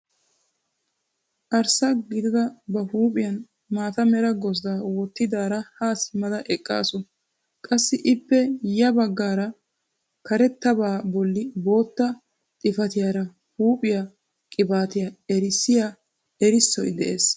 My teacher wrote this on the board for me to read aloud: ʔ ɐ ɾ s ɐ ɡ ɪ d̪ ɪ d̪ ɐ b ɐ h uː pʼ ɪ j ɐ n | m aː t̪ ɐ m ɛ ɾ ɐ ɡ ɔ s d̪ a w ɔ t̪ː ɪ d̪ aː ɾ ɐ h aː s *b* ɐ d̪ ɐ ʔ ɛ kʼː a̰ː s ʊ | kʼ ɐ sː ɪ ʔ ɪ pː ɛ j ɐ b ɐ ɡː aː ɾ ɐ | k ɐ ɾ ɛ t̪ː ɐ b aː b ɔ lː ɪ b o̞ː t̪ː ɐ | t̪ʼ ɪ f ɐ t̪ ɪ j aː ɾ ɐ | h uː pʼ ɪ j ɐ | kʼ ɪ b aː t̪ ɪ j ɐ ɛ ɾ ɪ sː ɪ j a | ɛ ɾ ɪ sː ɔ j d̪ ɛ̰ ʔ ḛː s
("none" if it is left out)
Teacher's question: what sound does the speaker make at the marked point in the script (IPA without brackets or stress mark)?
m